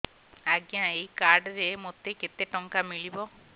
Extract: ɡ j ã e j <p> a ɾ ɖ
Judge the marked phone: incorrect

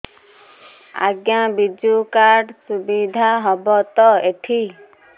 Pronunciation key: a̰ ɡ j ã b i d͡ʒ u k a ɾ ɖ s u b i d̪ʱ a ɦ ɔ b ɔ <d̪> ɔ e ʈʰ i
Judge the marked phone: incorrect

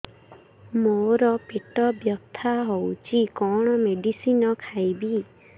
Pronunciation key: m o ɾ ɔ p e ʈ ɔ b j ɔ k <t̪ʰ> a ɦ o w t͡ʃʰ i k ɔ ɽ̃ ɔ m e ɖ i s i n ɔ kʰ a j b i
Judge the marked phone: correct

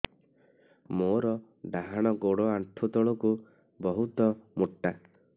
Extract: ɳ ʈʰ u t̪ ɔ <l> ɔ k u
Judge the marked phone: incorrect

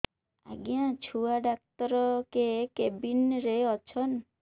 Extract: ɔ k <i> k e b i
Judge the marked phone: incorrect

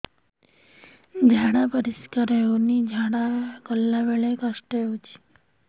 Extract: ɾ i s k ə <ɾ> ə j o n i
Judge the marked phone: correct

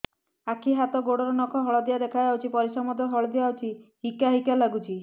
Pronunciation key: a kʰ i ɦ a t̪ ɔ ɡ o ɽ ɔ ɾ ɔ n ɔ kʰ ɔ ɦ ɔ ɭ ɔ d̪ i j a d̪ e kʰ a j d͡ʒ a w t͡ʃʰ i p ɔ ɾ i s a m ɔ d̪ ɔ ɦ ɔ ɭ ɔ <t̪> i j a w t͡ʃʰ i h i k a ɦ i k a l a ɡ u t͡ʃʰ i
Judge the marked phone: incorrect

